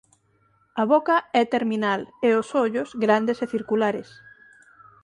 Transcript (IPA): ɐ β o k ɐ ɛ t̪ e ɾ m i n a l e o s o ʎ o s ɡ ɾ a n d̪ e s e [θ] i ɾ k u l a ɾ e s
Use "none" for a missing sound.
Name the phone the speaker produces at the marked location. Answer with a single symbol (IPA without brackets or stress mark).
θ